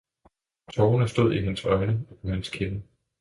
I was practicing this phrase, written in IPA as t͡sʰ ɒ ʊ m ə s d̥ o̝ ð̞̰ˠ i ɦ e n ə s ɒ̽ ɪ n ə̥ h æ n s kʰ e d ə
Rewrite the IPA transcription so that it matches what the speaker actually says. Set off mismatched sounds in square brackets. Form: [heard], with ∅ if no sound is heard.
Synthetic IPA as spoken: t͡sʰ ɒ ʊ [n] ə s d̥ o̝ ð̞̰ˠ i ɦ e n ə s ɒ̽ ɪ n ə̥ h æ n s kʰ e [n] ə